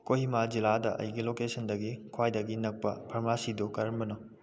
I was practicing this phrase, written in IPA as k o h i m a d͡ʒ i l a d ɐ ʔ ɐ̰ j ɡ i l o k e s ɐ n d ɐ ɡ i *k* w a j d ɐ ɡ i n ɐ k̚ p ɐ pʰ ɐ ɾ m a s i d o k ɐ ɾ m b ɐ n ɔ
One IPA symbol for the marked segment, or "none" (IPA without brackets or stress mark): kʰ